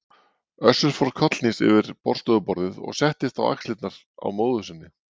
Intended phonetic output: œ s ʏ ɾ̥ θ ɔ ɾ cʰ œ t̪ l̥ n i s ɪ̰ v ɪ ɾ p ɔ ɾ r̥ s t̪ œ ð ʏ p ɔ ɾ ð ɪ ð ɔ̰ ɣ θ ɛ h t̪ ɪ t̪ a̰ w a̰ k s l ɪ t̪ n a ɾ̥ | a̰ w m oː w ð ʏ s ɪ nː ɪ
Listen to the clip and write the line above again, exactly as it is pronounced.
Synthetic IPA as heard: œ s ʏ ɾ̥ f ɔ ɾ kʰ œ t̪ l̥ n i s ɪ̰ v ɪ ɾ p ɔ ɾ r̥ s t̪ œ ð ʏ p ɔ ɾ ð ɪ ð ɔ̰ ɣ s ɛ h t̪ ɪ t̪ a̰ w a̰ k s l ɪ t̪ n a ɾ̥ | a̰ w m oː w ð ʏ s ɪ nː ɪ